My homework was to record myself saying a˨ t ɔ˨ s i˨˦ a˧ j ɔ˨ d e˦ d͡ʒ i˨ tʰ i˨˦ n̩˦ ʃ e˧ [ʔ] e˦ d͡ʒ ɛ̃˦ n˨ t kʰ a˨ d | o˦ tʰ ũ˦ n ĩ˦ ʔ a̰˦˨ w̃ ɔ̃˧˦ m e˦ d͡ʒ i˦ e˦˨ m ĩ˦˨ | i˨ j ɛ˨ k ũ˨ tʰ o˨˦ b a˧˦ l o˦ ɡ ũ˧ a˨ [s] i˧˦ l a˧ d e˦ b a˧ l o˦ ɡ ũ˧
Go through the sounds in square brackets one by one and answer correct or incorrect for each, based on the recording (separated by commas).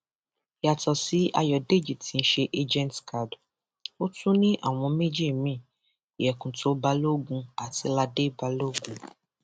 correct, incorrect